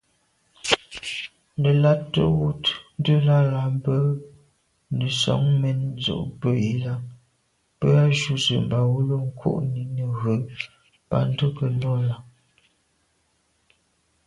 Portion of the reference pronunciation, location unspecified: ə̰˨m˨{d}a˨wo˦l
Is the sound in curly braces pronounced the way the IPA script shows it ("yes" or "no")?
no